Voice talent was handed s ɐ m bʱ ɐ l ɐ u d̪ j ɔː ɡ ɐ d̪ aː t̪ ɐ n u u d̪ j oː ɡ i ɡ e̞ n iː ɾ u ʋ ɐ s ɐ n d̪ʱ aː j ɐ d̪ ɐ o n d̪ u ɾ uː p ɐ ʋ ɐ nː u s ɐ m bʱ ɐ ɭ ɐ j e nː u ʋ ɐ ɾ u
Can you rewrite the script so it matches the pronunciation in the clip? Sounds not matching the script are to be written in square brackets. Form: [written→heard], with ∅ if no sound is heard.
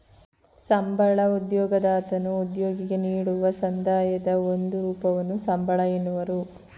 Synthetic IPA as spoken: s ɐ m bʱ ɐ [l→ɭ] ɐ u d̪ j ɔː ɡ ɐ d̪ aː t̪ ɐ n u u d̪ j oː ɡ i ɡ e̞ n iː [ɾ→ɽ] u ʋ ɐ s ɐ n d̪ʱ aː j ɐ d̪ ɐ o n d̪ u ɾ uː p ɐ ʋ ɐ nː u s ɐ m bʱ ɐ ɭ ɐ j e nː u ʋ ɐ ɾ u